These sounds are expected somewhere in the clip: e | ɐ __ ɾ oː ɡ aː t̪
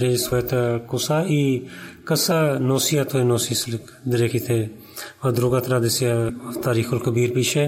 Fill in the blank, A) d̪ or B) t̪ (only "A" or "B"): A